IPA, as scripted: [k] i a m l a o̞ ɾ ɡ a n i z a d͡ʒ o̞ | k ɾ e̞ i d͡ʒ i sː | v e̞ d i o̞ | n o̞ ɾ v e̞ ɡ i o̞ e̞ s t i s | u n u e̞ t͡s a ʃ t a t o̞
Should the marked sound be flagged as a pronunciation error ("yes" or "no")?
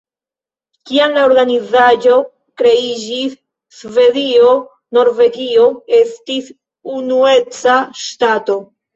no